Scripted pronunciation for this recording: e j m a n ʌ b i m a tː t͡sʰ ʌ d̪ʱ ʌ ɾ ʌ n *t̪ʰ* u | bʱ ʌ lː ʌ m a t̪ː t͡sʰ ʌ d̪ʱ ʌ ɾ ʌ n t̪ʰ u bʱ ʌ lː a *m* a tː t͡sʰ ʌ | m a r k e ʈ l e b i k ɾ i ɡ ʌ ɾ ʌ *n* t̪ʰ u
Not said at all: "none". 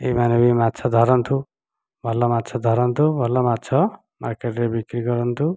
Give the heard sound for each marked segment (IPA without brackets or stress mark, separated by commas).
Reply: t̪ʰ, m, n